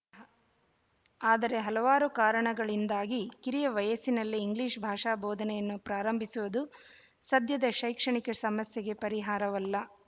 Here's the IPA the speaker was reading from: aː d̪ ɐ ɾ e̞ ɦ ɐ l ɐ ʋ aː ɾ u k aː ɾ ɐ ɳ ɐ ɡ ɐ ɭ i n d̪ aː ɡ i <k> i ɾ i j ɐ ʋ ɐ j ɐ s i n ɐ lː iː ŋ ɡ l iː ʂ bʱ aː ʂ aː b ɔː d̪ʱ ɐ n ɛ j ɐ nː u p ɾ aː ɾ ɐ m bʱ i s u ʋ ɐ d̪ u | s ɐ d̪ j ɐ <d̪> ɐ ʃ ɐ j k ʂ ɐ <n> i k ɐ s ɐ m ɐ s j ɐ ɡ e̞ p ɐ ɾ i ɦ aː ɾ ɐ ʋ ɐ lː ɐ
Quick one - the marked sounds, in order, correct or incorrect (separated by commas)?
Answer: correct, correct, incorrect